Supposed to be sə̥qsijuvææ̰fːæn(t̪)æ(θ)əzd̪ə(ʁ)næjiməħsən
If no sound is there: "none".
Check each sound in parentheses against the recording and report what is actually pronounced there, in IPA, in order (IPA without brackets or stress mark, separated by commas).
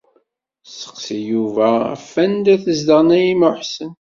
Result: d̪, θ, ʁ